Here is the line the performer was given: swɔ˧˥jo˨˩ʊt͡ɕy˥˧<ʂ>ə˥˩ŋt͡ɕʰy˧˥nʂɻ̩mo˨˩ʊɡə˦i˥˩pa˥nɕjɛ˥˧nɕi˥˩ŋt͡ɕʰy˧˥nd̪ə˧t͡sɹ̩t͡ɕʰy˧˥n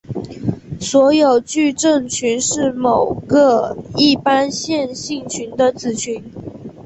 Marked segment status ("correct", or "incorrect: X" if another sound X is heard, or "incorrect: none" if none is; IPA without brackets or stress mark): incorrect: ʈ͡ʂ